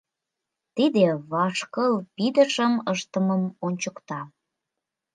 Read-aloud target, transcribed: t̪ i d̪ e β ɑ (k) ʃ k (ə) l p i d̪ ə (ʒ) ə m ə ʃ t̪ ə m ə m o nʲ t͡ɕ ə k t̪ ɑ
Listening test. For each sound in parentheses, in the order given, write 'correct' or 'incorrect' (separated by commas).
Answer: incorrect, correct, incorrect